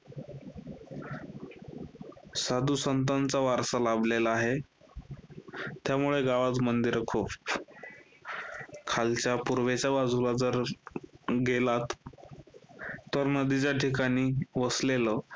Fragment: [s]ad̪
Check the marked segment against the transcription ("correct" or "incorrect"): correct